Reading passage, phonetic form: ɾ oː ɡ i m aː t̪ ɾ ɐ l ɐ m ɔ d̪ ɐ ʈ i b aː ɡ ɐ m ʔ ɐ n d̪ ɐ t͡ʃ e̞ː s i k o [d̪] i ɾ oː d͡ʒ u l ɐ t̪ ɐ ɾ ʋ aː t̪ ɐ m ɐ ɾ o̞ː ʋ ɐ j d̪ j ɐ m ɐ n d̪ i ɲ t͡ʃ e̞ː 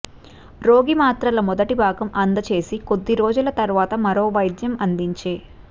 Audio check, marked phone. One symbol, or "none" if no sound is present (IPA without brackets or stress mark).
d̪ː